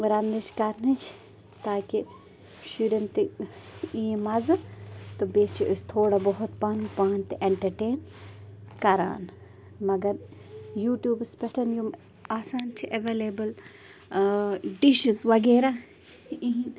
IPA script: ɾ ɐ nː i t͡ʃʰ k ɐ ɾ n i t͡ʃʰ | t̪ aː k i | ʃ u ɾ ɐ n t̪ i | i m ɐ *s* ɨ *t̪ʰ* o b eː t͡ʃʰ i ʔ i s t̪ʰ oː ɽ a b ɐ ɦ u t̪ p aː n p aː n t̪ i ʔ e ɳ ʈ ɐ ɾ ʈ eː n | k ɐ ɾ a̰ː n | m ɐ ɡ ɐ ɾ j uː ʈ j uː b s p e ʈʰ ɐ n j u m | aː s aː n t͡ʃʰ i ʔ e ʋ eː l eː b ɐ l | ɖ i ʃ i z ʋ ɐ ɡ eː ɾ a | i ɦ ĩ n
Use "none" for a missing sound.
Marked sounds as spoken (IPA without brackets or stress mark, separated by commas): z, t̪